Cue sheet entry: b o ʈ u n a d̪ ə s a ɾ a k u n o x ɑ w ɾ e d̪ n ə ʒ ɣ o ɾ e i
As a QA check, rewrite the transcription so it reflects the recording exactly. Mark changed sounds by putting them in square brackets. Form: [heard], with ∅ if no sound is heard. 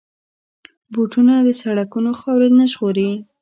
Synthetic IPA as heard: b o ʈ u n a d̪ ə s a [ɽ] a k u n o x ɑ w ɾ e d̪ n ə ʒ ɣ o ɾ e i